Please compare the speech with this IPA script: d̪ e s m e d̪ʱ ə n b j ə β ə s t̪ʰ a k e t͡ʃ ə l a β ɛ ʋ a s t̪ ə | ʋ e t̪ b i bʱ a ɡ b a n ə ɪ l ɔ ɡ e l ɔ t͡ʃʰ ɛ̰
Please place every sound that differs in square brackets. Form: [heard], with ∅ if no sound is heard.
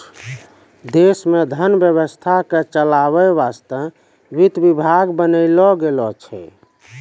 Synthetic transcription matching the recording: d̪ e s m e d̪ʱ ə n b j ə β ə s t̪ʰ a k e t͡ʃ ə l a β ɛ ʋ a s t̪ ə | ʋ [i] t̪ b i bʱ a ɡ b [ə] n ə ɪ l ɔ ɡ e l ɔ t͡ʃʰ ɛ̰